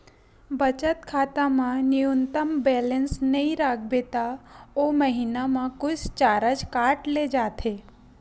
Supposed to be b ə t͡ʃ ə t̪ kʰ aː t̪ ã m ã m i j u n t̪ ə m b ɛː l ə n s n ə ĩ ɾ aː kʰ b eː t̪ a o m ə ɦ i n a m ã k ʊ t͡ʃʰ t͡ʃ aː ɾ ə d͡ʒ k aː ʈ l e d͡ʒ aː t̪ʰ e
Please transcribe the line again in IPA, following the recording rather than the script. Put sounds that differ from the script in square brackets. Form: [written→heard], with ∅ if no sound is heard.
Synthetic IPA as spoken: b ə t͡ʃ ə t̪ kʰ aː t̪ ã m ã [m→n] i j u n t̪ ə m b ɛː l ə n s n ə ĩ ɾ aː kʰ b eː t̪ a o m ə ɦ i n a m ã k ʊ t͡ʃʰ t͡ʃ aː ɾ ə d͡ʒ k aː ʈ l e d͡ʒ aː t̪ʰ e